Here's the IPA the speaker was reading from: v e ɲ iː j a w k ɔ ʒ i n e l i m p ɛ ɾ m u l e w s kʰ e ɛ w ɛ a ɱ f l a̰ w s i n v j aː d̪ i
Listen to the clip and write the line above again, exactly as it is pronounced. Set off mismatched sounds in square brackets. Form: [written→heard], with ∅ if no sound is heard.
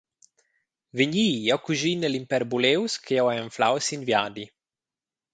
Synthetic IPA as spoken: v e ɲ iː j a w k [ɔ→u] ʒ i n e l i m p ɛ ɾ [m→b] u l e w s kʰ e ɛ w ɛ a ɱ f l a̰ w s i n v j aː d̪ i